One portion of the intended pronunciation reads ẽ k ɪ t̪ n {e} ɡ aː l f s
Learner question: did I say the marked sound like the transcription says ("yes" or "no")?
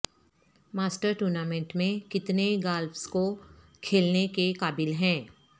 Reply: yes